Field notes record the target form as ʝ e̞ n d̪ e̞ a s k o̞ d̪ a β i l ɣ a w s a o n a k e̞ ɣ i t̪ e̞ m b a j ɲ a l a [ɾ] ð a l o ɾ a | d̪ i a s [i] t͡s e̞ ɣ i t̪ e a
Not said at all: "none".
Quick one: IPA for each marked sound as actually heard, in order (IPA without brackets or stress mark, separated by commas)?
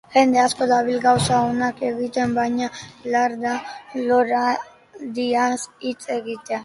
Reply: ɾ, i